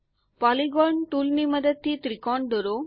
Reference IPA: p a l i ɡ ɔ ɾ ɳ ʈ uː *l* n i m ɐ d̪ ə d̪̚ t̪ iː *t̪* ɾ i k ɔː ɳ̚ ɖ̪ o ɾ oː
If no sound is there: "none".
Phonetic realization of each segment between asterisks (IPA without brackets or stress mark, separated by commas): l, t̪